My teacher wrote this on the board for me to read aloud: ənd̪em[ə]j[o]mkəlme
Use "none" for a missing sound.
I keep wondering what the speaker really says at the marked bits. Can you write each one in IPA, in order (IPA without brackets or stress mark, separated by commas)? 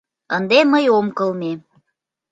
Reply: ə, o